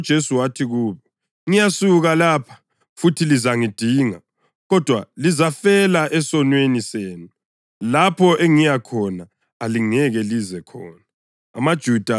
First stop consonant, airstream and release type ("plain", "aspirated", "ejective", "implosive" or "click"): plain